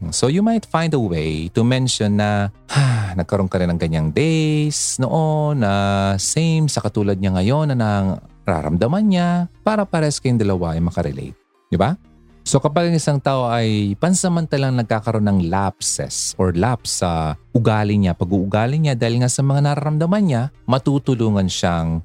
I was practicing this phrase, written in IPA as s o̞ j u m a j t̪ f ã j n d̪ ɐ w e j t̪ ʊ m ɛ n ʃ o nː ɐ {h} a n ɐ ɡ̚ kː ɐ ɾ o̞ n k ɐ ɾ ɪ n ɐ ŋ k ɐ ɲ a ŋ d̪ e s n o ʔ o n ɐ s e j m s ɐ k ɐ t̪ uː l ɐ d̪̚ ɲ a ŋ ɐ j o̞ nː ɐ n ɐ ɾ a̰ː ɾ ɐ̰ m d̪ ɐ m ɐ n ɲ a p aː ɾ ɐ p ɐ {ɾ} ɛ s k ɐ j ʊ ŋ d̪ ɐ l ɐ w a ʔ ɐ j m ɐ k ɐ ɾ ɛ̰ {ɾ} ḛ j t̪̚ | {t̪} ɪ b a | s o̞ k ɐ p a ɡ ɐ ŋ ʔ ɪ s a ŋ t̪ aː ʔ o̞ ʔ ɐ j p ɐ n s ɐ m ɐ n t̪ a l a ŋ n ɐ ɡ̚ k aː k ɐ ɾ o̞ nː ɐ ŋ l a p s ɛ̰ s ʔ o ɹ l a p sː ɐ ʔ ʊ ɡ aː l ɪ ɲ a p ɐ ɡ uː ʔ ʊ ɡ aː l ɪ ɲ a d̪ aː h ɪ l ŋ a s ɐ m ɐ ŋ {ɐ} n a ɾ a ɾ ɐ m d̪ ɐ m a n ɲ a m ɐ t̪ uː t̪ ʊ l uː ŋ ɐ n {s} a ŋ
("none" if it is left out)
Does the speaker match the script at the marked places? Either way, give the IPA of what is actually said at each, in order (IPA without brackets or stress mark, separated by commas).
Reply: h, ɾ, l, d̪, a, ʃ